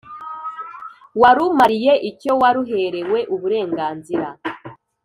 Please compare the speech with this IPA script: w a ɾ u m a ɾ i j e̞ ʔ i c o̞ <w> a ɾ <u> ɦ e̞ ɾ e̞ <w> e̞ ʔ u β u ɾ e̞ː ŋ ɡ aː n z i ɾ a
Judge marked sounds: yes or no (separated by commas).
yes, yes, yes